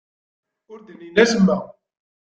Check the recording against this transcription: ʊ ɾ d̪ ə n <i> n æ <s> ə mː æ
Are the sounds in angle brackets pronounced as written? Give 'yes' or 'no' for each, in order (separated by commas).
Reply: yes, yes